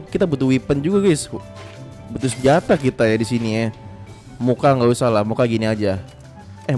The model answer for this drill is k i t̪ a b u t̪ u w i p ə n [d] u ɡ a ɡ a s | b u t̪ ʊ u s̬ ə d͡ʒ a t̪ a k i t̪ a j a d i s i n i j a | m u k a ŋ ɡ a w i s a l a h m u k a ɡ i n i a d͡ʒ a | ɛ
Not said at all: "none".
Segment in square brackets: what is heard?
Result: d͡ʒ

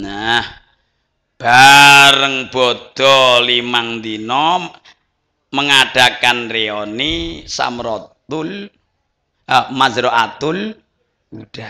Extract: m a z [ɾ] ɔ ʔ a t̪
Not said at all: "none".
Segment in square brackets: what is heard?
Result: ɾ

